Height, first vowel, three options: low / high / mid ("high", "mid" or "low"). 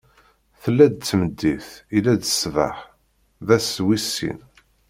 mid